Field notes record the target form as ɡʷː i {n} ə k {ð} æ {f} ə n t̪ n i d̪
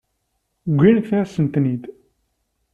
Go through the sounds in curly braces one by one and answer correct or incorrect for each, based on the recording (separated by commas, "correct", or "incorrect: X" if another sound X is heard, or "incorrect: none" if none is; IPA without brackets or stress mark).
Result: correct, incorrect: θ, incorrect: s